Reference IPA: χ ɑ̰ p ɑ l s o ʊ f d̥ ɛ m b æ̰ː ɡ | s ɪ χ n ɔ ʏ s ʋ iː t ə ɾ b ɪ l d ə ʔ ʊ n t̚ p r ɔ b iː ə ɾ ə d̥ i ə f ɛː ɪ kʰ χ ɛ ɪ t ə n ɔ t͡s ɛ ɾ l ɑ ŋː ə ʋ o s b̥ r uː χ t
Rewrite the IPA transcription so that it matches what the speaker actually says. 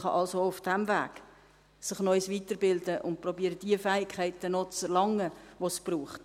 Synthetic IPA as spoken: χ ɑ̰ ʔ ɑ l s o ʊ f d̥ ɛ m v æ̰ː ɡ | s ɪ χ n ɔ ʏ s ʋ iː t ə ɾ b ɪ l d ə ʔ ʊ n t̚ p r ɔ b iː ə ɾ ə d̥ i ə f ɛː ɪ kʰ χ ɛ ɪ t ə n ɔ t͡s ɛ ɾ l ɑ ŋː ə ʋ o s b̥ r uː χ t